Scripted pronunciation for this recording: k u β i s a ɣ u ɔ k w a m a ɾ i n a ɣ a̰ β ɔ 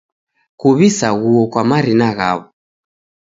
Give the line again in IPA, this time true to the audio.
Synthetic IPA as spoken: k u β i s a ɣ u ɔ k w a m a ɾ i n a ɣ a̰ β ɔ